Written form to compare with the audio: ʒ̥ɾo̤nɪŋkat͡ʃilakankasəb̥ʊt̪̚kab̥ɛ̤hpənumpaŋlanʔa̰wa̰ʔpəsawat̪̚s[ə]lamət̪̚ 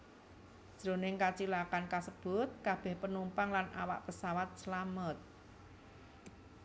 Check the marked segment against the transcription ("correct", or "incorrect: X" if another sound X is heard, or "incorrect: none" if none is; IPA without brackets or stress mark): correct